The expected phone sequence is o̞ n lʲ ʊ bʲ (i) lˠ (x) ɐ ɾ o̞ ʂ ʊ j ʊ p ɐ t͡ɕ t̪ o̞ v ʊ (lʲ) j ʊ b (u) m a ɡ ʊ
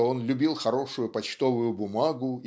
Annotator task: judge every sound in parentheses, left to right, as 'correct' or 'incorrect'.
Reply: correct, correct, incorrect, incorrect

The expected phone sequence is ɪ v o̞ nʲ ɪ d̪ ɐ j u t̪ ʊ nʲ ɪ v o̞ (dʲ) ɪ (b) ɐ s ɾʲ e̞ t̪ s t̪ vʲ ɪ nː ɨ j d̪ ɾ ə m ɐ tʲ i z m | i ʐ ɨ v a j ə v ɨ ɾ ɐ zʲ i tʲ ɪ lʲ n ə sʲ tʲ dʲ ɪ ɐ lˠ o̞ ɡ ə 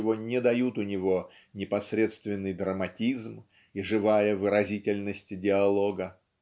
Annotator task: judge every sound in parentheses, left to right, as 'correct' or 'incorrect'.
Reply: incorrect, incorrect

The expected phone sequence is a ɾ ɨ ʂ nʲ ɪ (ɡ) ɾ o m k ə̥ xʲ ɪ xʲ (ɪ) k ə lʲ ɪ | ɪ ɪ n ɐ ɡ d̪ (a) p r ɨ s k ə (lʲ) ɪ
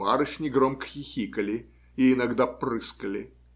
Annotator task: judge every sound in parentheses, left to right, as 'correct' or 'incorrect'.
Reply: correct, incorrect, correct, correct

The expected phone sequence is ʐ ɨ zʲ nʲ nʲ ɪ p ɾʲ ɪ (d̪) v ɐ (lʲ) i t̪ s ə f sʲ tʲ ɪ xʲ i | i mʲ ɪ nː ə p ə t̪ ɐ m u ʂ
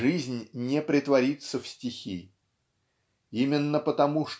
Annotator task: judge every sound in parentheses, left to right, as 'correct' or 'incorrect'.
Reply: incorrect, incorrect

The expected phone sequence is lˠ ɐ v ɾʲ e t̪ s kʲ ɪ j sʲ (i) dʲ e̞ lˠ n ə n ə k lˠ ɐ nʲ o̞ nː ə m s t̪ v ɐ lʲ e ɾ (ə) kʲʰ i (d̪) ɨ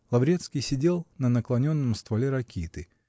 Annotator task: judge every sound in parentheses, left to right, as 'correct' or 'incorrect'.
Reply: incorrect, incorrect, incorrect

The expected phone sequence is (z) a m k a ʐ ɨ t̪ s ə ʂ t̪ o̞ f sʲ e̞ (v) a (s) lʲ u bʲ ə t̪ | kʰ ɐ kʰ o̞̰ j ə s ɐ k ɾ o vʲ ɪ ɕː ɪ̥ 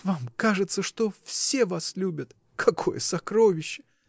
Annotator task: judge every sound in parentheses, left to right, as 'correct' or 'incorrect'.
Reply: incorrect, correct, correct

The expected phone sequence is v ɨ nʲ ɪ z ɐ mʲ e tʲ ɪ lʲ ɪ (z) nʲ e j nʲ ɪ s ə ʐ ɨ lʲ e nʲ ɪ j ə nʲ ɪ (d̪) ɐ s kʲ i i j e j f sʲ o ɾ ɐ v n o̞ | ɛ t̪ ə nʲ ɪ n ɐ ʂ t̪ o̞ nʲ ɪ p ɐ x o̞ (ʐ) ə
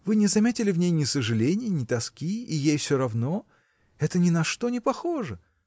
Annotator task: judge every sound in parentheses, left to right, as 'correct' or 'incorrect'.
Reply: incorrect, incorrect, correct

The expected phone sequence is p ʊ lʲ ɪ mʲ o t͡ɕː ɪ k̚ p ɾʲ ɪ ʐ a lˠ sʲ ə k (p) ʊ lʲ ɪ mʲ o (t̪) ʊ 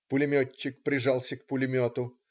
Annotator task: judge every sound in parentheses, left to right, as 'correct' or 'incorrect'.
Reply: correct, correct

